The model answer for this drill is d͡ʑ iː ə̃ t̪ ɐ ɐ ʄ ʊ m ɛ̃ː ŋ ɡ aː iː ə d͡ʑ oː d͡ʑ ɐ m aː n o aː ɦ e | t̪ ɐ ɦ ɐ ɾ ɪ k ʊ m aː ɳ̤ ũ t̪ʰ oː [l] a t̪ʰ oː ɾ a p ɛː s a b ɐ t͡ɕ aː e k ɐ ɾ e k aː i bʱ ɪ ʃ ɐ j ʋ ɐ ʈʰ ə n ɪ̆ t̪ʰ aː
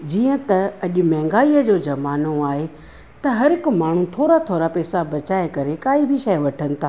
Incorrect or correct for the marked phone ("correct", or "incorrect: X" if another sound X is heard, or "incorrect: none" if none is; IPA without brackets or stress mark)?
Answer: incorrect: ɾ